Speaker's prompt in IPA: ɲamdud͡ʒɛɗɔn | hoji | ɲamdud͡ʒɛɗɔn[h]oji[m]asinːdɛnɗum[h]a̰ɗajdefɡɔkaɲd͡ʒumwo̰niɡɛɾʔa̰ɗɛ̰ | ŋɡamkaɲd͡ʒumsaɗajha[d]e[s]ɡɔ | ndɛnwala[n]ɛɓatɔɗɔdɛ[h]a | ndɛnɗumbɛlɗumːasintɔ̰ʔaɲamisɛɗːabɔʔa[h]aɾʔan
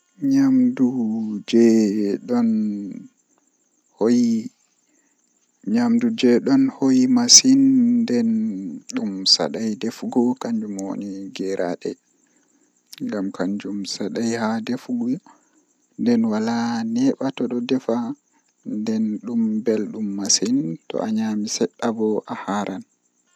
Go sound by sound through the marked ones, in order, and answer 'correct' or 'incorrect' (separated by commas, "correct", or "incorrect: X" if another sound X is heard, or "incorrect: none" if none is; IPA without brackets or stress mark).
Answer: correct, correct, incorrect: s, correct, incorrect: f, correct, incorrect: f, correct